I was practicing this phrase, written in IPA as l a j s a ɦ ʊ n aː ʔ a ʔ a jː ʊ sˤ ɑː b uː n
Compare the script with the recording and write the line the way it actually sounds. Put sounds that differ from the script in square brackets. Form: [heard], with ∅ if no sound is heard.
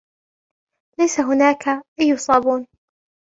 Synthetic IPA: l a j s a ɦ ʊ n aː [k] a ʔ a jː ʊ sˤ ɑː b uː n